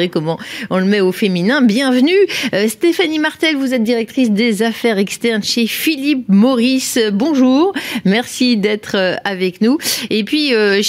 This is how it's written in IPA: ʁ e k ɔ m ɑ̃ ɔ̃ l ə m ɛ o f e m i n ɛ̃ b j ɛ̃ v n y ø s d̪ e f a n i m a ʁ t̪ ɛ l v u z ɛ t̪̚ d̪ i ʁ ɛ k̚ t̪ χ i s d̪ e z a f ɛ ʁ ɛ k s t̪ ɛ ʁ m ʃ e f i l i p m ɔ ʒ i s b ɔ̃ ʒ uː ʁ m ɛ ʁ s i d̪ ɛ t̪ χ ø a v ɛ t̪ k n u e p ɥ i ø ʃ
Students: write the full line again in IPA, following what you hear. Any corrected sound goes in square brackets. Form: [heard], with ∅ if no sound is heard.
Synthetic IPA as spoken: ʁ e k ɔ m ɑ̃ ɔ̃ l ə m ɛ o f e m i n ɛ̃ b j ɛ̃ v n y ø s [t̪] e f a n i m a ʁ t̪ ɛ l v u z ɛ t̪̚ d̪ i ʁ ɛ k̚ t̪ χ i s d̪ e z a f ɛ ʁ ɛ k s t̪ ɛ ʁ [n] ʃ e f i l i p m ɔ [ʁ] i s b ɔ̃ ʒ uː ʁ m ɛ ʁ s i d̪ ɛ t̪ χ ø a v ɛ [∅] k n u e p ɥ i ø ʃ